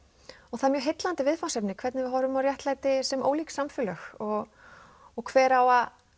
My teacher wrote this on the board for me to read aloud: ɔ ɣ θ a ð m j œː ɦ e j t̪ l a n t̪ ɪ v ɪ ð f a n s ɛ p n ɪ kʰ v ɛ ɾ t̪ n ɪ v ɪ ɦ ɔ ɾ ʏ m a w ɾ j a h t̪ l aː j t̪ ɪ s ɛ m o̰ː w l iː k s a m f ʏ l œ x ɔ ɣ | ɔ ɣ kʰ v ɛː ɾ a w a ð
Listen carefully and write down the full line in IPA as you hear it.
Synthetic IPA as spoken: ɔ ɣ θ a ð m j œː ɦ e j t̪ l a n t̪ ɪ v ɪ ð f a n s ɛ p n ɪ kʰ v ɛ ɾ t̪ n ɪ v ɪ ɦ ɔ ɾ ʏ m a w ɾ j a h t̪ l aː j t̪ ɪ s ɛ m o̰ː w l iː k s a m f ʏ l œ x ɔ ɣ | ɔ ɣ kʰ v ɛː ɾ a w a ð